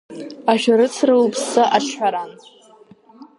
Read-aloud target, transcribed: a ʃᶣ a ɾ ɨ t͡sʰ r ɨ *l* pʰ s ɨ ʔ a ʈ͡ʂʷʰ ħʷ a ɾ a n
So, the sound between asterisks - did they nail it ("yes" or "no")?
yes